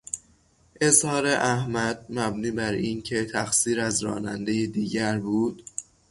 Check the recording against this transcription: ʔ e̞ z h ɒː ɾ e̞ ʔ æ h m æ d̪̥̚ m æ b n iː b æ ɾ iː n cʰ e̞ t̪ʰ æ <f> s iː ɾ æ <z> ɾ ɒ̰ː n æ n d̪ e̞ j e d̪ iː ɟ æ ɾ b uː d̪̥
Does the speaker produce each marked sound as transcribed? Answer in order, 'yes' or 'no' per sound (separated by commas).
no, yes